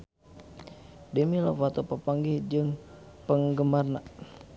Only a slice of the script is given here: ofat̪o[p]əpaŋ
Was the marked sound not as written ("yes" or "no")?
no